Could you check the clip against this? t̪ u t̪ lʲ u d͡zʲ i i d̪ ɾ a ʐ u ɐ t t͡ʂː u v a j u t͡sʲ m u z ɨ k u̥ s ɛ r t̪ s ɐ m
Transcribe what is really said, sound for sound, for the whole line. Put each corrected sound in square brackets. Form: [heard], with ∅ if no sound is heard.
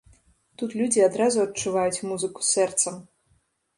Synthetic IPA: t̪ u t̪ lʲ u d͡zʲ i [a] d̪ ɾ a [z] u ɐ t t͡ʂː u v a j u t͡sʲ m u z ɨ k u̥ s ɛ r t̪ s ɐ m